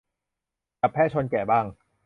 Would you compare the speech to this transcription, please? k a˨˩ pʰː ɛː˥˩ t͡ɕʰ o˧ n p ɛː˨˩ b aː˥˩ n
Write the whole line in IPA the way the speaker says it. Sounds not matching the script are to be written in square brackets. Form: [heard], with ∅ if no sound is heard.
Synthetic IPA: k a˨˩ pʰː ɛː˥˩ t͡ɕʰ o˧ n [k] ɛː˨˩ b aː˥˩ [ŋ]